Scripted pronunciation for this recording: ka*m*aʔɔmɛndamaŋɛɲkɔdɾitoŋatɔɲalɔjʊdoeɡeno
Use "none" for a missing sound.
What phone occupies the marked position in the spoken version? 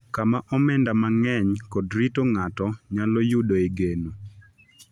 m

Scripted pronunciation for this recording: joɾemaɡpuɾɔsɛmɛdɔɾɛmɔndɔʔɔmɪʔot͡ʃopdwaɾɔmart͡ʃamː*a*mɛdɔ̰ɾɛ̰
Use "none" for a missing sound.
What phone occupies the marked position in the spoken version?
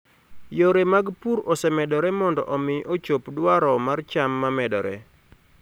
a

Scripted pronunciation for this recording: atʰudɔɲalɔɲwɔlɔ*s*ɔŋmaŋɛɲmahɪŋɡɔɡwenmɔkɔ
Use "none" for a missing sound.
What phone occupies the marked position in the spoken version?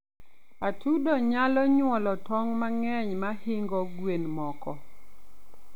t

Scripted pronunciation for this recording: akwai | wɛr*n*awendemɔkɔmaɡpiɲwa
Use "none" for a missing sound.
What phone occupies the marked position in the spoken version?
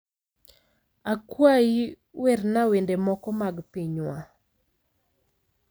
n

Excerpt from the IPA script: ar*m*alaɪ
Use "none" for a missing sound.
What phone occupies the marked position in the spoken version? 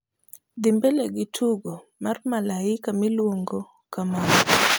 m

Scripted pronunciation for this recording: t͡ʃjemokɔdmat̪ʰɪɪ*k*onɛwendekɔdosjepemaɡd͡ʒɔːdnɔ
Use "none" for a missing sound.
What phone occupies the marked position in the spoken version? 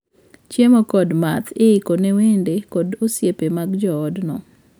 k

